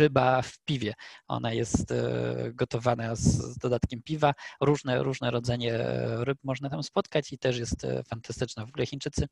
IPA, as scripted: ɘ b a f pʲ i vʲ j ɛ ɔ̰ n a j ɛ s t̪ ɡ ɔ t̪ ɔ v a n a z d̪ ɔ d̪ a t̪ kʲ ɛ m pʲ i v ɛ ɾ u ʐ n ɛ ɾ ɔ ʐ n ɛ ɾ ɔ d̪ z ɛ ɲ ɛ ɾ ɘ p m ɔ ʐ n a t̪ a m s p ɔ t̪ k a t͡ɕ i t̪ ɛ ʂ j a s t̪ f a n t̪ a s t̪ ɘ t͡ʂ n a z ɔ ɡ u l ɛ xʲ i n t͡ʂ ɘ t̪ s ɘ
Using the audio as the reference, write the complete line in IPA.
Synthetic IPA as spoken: ɘ b a f pʲ i vʲ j ɛ ɔ̰ n a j ɛ s t̪ ɡ ɔ t̪ ɔ v a n a z d̪ ɔ d̪ a t̪ kʲ ɛ m pʲ i v a ɾ u ʐ n ɛ ɾ u ʐ n ɛ ɾ ɔ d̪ z ɛ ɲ ɛ ɾ ɘ p m ɔ ʐ n a t̪ a m s p ɔ t̪ k a t͡ɕ i t̪ ɛ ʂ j ɛ s t̪ f a n t̪ a s t̪ ɘ t͡ʂ n a v ɔ ɡ u l ɛ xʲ i n t͡ʂ ɘ t̪ s ɘ